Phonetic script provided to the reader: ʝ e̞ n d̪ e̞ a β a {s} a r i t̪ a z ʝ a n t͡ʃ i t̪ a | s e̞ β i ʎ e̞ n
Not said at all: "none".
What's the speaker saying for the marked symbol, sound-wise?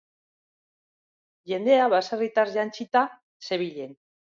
s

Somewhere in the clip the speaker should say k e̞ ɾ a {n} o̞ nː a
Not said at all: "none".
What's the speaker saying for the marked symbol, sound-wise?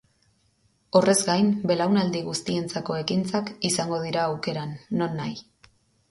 nː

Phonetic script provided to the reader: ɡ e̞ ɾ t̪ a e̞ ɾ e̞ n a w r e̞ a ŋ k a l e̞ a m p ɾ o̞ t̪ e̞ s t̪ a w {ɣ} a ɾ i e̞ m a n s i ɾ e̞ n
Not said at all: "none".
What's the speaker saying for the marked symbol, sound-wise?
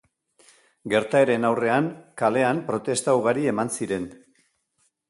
ɣ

